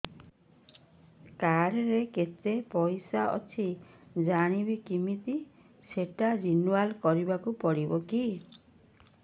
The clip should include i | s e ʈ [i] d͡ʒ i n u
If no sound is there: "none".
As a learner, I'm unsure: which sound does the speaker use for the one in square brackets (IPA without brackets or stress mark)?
a